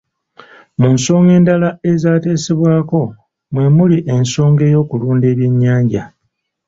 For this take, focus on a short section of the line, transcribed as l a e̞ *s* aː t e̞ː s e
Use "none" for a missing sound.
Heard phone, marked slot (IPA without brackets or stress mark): z